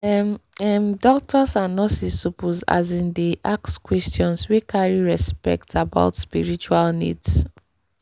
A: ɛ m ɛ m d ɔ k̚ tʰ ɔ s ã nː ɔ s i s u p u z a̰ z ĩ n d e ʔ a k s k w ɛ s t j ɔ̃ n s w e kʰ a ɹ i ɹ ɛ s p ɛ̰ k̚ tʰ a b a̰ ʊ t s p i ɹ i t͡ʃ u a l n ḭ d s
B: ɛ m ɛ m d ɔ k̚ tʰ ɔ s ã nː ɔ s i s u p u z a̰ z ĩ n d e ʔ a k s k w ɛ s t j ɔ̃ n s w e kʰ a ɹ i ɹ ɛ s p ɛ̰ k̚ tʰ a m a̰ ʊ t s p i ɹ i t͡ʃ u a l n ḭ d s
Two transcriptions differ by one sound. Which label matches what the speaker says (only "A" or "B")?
A